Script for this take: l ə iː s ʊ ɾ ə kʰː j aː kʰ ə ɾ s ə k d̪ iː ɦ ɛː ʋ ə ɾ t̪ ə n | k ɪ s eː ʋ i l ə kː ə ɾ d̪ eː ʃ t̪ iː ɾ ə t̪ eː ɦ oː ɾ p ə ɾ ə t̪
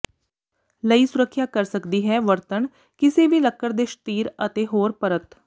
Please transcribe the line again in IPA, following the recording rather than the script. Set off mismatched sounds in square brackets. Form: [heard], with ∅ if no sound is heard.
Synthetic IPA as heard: l ə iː s ʊ ɾ ə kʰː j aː [k] ə ɾ s ə k d̪ iː ɦ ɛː ʋ ə ɾ t̪ ə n | k ɪ s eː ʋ [iː] l ə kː ə ɾ d̪ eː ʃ t̪ iː ɾ ə t̪ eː ɦ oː ɾ p ə ɾ ə t̪